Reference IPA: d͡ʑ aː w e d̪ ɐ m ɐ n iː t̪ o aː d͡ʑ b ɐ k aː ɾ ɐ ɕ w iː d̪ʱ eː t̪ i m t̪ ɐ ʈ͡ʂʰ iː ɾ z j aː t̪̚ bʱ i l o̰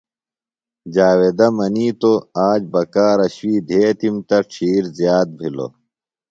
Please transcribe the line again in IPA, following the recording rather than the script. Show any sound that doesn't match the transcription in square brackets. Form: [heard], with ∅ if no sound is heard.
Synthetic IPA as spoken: d͡ʑ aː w e d̪ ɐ m ɐ n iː t̪ o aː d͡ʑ b ɐ k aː ɾ ɐ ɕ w iː d̪ʱ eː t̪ i m t̪ ɐ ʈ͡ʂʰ iː ɾ z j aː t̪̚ bʱ i l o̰